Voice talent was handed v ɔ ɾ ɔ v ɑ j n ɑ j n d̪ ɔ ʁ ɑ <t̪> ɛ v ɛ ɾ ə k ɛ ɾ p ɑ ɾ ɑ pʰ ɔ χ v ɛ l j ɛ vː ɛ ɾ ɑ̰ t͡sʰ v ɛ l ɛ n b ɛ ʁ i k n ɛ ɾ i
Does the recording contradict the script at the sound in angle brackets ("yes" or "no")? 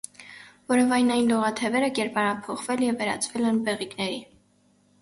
yes